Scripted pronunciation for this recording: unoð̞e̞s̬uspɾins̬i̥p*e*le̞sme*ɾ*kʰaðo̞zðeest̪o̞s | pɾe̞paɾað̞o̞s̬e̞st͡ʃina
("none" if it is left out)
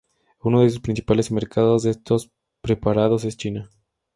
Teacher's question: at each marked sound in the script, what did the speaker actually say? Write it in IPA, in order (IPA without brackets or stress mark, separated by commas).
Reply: a, ɾ